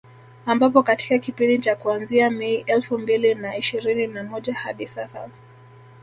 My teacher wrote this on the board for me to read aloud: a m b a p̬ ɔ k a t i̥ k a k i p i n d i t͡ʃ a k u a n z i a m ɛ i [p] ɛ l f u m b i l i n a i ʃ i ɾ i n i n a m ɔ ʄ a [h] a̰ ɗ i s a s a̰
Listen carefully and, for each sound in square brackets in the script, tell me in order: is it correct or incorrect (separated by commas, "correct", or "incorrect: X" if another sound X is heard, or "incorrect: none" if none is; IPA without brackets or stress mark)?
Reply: incorrect: ʔ, correct